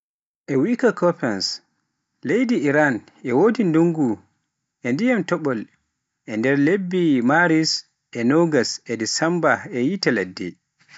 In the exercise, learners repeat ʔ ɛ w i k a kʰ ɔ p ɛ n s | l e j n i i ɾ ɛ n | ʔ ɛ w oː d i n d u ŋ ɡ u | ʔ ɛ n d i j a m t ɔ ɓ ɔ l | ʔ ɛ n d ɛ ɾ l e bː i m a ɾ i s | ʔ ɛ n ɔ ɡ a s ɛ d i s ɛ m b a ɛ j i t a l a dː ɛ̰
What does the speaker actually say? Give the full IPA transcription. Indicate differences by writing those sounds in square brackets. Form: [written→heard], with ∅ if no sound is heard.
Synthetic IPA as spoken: ʔ ɛ w i k a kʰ ɔ p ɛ n s | l e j [n→d] i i ɾ [ɛ→a] n | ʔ ɛ w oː d i n d u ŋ ɡ u | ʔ ɛ n d i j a m t ɔ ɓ ɔ l | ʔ ɛ n d ɛ ɾ l e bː i m a ɾ i s | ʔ ɛ n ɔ ɡ a s ɛ d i s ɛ m b a ɛ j i t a l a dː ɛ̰